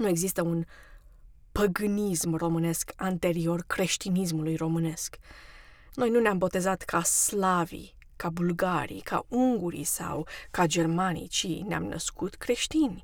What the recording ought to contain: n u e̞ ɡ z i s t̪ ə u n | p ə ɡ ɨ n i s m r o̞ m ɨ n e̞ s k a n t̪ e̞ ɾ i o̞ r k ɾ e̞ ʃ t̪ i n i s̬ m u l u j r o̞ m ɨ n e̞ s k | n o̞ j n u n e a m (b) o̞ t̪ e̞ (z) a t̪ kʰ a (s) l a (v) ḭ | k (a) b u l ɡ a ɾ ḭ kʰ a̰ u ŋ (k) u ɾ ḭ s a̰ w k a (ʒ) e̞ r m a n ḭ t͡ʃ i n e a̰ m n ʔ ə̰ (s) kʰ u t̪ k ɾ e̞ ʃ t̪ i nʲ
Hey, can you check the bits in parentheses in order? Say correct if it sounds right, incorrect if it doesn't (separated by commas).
correct, correct, correct, correct, correct, incorrect, incorrect, correct